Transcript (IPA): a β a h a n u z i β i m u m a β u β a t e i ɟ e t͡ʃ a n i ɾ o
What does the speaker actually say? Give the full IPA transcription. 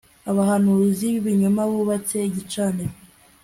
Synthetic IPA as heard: a β a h a n u z i β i ɲ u m a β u β a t e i ɟ i t͡ʃ a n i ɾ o